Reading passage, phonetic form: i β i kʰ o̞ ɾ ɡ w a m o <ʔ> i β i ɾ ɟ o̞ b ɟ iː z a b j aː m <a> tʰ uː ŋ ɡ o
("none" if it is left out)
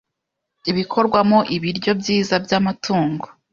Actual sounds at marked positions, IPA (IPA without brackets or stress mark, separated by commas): ʔ, a